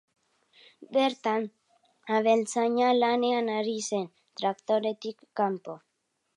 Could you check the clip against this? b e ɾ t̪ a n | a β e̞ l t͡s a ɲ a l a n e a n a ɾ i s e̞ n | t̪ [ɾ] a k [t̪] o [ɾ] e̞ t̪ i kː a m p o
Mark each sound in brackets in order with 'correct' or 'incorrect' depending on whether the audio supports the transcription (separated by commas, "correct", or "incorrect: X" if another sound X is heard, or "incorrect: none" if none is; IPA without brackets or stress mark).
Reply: correct, correct, correct